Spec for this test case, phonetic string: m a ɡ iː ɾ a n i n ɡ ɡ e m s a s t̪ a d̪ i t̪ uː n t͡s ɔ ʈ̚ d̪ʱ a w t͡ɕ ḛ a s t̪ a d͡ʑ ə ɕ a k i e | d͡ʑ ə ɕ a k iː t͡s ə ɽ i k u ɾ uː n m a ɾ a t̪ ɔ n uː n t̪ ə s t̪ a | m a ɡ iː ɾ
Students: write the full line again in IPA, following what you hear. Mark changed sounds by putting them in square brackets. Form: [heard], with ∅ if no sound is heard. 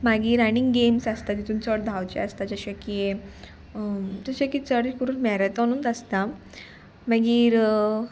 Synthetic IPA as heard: m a ɡ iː ɾ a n i [ŋ] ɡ ɡ e m s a s t̪ a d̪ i t̪ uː n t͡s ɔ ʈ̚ d̪ʱ a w t͡ɕ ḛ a s t̪ a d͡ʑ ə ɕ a k i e | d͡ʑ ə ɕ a k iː t͡s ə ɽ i k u ɾ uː n m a ɾ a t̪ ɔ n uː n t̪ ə s t̪ a | m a ɡ iː ɾ

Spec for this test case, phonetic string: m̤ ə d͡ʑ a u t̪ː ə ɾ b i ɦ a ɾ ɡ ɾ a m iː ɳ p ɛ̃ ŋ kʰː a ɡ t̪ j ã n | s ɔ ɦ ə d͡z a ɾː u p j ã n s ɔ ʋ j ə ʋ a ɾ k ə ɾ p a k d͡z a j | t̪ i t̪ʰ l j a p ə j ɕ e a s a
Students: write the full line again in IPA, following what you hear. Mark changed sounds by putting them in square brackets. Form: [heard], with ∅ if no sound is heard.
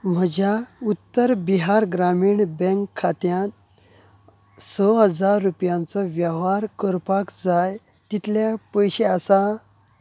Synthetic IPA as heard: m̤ ə d͡ʑ a u t̪ː ə ɾ b i ɦ a ɾ ɡ ɾ a m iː ɳ [b] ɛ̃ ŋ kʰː a [∅] t̪ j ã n | s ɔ ɦ ə d͡z a ɾː u p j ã n [t͡s] ɔ ʋ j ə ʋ a ɾ k ə ɾ p a k d͡z a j | t̪ i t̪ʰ l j a p ə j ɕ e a s a

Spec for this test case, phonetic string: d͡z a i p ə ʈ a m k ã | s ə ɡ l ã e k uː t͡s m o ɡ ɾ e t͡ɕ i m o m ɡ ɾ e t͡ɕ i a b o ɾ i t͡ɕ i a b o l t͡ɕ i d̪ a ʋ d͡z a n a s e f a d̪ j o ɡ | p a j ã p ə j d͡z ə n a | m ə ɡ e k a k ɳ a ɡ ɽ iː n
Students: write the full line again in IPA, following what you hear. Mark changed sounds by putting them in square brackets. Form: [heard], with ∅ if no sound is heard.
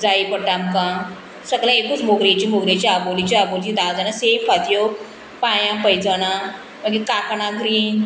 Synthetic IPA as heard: d͡z a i p ə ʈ a m k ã | s ə ɡ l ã e k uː t͡s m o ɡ ɾ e t͡ɕ i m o [∅] ɡ ɾ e t͡ɕ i a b o [l] i t͡ɕ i a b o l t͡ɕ i d̪ a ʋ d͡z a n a s e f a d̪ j o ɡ | p a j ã p ə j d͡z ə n a | m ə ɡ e k a k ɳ a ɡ [ɾ] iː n

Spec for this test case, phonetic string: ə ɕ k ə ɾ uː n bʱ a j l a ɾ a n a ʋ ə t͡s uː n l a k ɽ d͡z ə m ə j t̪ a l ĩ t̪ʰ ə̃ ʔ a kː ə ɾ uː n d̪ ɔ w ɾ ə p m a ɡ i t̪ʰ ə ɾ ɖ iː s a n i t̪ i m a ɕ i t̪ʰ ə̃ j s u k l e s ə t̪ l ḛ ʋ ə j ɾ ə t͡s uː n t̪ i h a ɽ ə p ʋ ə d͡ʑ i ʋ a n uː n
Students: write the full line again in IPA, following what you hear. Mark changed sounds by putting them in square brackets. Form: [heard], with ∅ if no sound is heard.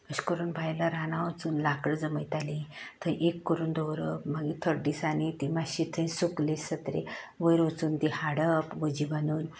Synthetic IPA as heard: ə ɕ k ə ɾ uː n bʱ a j l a ɾ a n a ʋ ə t͡s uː n l a k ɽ d͡z ə m ə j t̪ a l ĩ t̪ʰ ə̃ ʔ [e] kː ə ɾ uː n d̪ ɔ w ɾ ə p m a ɡ i t̪ʰ ə ɾ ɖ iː s a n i t̪ i m a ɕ i t̪ʰ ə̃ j s u k l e s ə t̪ [ɾ] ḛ ʋ ə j ɾ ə t͡s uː n t̪ i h a ɽ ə p ʋ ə d͡ʑ i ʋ a n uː n

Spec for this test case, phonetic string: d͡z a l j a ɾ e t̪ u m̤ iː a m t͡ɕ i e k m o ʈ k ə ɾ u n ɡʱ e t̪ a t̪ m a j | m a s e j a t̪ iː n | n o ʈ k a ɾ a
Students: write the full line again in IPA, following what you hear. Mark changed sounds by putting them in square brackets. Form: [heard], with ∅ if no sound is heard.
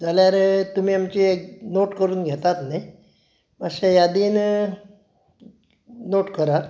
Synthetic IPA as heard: d͡z a l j a ɾ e t̪ u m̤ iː a m t͡ɕ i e k [n] o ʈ k ə ɾ [uː] n ɡʱ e t̪ a t̪ [n] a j | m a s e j a [d̪] iː n | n o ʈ k [ə] ɾ a

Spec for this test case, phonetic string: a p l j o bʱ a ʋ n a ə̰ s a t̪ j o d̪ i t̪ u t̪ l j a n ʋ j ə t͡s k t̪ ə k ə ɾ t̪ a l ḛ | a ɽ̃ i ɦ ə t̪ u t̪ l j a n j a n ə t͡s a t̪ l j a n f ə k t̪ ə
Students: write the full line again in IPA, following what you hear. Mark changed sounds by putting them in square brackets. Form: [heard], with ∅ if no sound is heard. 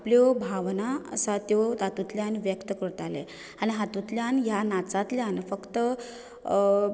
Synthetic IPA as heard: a p l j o bʱ a ʋ n a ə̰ s a t̪ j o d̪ [a] t̪ u t̪ l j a n ʋ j ə [∅] k t̪ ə k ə ɾ t̪ a l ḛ | a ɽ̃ i ɦ [a] t̪ u t̪ l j a n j a n [a] t͡s a t̪ l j a n f ə k t̪ ə

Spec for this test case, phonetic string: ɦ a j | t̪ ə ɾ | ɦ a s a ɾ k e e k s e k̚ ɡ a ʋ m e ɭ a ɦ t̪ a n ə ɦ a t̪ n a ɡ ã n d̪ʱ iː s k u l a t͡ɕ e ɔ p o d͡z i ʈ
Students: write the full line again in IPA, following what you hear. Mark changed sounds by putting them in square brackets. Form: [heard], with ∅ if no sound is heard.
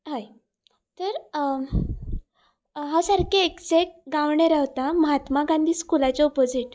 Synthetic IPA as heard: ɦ a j | t̪ ə ɾ | ɦ a s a ɾ k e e k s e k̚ ɡ a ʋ [ɳ] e [ɾ] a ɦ t̪ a [m] ə ɦ a t̪ [m] a ɡ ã n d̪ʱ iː s k u l a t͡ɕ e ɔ p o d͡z i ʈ

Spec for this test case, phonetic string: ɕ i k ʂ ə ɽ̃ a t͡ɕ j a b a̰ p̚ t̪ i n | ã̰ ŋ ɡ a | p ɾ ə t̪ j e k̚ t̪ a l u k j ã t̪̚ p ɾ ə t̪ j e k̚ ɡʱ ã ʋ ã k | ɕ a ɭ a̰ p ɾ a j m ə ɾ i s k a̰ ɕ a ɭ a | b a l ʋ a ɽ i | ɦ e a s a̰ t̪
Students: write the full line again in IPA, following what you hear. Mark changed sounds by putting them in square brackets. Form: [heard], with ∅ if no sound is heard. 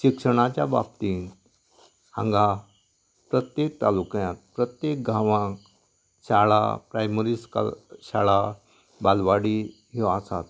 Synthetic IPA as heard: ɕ i k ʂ ə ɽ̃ a t͡ɕ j a b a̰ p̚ t̪ i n | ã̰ ŋ ɡ a | p ɾ ə t̪ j e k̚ t̪ a l u k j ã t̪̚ p ɾ ə t̪ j e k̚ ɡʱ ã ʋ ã k | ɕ a ɭ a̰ p ɾ a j m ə ɾ i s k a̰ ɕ a ɭ a | b a l ʋ a ɽ i | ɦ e a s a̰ t̪

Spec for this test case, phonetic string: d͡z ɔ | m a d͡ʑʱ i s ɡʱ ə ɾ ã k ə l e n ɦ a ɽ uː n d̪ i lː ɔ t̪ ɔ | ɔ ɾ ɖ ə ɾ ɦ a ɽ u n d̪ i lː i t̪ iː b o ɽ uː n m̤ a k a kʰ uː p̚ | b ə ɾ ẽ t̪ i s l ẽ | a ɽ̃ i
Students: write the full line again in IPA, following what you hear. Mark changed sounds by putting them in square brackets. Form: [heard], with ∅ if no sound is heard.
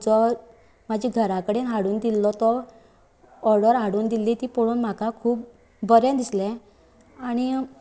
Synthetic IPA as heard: d͡z ɔ | m a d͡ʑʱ i [∅] ɡʱ ə ɾ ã k ə [ɽ] e n ɦ a ɽ uː n d̪ i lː ɔ t̪ ɔ | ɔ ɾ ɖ ə ɾ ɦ a ɽ [uː] n d̪ i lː i t̪ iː [p] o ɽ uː n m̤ a k a kʰ uː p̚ | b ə ɾ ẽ [d̪] i s l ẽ | a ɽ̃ i

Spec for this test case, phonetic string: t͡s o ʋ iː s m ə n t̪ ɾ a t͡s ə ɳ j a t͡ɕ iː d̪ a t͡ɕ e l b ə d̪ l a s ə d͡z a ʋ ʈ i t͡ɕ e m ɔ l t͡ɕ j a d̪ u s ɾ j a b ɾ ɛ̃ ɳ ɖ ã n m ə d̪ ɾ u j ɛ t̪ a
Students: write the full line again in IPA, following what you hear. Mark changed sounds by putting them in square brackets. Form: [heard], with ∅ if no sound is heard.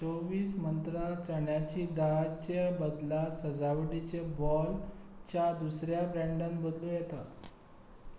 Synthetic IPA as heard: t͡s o ʋ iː s m ə n t̪ ɾ a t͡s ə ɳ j a t͡ɕ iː d̪ a t͡ɕ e [∅] b ə d̪ l a s ə d͡z a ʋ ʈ i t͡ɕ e [b] ɔ l t͡ɕ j a d̪ u s ɾ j a b ɾ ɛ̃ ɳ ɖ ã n [b] ə d̪ [l] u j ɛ t̪ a

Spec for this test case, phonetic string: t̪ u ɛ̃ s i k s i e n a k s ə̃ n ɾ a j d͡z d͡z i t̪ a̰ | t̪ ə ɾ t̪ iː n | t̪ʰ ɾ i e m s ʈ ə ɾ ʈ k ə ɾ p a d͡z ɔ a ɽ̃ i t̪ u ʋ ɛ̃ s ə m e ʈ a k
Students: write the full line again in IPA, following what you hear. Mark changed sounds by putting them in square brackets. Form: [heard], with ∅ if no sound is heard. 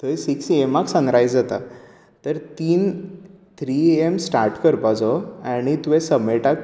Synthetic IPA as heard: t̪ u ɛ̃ s i k s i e [m] a k s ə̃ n ɾ a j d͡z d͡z [a] t̪ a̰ | t̪ ə ɾ t̪ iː n | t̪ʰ ɾ i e m s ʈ [a] ɾ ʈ k ə ɾ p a d͡z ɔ a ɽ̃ i t̪ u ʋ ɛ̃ s ə m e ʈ a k

